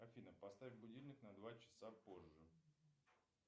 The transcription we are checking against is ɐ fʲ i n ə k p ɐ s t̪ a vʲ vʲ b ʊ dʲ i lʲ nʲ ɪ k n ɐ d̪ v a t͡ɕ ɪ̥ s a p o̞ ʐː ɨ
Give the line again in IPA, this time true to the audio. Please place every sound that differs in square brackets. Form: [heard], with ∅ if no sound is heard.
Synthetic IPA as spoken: ɐ fʲ i n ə [∅] p ɐ s t̪ a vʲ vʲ b ʊ dʲ i lʲ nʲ ɪ k n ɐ d̪ v a t͡ɕ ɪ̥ s a p o̞ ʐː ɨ